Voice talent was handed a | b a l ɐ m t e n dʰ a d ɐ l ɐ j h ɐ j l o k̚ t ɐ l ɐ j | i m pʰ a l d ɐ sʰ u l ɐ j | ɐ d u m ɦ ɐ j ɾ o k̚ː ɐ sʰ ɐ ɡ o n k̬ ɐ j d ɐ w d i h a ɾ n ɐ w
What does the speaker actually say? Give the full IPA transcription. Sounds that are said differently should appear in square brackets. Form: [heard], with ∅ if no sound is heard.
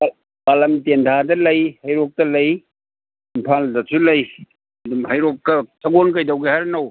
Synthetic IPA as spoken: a | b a l ɐ m t e n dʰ a d ɐ l ɐ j h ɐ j [ɾ] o k̚ t ɐ l ɐ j | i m pʰ a l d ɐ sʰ u l ɐ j | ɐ d u m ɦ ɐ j ɾ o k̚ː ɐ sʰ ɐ ɡ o n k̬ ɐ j d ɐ w [ɡ] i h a ɾ n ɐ w